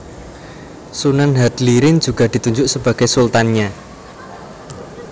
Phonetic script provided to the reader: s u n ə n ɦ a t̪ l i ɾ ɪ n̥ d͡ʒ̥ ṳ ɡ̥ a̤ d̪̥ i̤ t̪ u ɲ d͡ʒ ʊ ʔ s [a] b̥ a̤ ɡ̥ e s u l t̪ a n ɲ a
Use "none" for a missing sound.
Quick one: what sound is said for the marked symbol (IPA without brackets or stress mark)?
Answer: ə